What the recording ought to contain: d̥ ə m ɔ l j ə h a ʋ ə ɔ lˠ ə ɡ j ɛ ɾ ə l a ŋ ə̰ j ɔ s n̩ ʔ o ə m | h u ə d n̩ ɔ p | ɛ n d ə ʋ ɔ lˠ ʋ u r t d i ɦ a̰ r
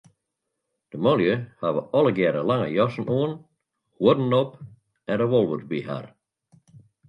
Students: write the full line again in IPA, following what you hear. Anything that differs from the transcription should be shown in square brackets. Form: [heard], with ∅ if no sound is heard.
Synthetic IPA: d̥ ə m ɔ l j ə h a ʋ ə ɔ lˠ ə ɡ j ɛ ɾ ə l a ŋ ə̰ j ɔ s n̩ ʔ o ə [n] | h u ə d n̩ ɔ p | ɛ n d ə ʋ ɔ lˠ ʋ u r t [b] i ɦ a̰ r